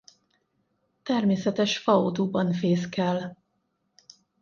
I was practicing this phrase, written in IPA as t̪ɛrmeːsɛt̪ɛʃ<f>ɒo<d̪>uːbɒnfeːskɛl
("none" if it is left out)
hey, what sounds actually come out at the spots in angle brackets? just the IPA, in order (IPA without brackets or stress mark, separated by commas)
f, d̪